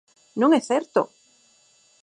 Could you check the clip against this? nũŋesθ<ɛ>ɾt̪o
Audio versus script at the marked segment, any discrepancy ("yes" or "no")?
yes